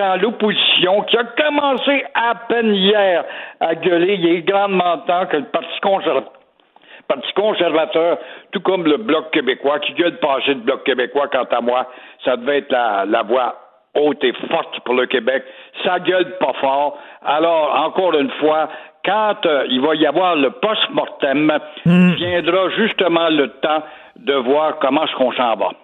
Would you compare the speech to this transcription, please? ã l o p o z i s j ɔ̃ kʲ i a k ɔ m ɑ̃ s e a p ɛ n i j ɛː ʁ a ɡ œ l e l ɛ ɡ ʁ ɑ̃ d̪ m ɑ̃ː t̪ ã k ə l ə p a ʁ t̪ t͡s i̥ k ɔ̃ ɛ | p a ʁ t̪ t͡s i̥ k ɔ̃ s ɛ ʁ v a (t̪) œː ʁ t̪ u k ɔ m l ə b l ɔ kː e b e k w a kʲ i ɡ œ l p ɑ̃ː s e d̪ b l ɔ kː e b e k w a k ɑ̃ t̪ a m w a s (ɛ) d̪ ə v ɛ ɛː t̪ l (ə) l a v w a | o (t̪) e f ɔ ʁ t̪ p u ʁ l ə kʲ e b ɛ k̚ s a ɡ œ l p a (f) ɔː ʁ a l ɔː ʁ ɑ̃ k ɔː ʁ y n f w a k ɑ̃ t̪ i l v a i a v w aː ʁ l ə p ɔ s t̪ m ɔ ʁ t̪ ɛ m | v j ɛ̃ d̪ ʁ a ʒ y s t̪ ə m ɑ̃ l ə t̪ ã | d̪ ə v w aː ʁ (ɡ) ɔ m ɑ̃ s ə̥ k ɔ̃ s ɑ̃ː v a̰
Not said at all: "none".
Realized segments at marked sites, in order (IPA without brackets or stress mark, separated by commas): t̪, a, a, t̪, f, k